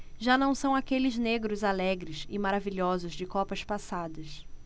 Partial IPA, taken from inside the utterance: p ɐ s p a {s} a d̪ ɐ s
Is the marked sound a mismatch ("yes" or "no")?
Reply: no